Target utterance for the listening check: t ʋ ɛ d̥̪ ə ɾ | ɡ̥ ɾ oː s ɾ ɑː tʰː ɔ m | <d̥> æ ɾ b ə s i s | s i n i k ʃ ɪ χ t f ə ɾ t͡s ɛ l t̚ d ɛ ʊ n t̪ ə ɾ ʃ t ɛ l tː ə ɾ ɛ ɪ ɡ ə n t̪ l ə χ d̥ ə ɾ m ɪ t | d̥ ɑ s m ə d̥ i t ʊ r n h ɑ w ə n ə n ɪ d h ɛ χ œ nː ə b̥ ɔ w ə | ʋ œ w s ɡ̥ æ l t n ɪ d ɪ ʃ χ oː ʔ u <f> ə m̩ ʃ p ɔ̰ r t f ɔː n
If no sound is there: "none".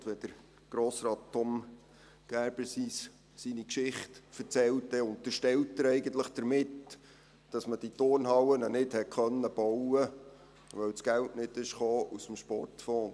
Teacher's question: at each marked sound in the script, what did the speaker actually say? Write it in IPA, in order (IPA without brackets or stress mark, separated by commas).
ɡ̥, s